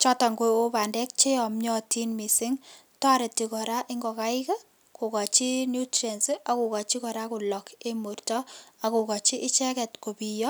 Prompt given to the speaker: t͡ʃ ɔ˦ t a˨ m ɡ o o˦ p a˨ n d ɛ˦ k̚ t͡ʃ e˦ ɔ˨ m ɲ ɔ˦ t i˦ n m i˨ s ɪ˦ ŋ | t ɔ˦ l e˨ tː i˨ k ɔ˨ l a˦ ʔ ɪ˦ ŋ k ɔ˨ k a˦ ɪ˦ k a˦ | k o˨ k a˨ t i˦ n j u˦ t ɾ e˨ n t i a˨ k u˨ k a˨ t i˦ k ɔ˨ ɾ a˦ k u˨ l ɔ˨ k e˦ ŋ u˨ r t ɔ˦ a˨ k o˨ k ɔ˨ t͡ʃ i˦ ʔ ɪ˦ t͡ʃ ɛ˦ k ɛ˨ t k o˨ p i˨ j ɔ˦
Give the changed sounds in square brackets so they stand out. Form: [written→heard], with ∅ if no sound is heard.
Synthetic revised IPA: t͡ʃ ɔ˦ t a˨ [m→ŋ] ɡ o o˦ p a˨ n d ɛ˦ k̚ t͡ʃ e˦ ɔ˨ m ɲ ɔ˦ t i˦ n m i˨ s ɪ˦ ŋ | t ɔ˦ [l→ɾ] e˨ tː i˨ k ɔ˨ [l→ɾ] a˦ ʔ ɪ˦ ŋ [k→ɡ] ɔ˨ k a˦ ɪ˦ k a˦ | k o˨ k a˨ [t→t͡ʃ] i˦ n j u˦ t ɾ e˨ n [t→s] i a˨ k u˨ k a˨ [t→t͡ʃ] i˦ k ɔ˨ ɾ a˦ k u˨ l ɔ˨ k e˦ [ŋ→m] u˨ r t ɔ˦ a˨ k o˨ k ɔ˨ t͡ʃ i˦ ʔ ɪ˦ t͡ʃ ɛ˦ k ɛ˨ t k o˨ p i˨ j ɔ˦